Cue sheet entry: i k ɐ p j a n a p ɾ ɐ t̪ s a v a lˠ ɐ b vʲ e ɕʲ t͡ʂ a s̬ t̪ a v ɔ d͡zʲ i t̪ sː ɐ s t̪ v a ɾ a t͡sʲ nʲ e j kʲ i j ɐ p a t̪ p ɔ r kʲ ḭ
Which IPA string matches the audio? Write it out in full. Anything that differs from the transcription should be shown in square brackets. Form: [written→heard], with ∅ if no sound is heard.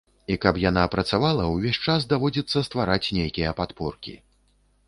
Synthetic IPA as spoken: i k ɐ p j a n a p ɾ ɐ t̪ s a v a lˠ ɐ [b→w] vʲ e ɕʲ t͡ʂ a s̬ [t̪→d̪] a v ɔ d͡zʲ i t̪ sː ɐ s t̪ v a ɾ a t͡sʲ nʲ e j kʲ i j ɐ p a t̪ p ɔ r kʲ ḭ